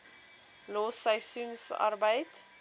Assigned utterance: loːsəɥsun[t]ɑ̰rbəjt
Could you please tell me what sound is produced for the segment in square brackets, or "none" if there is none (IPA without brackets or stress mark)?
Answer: s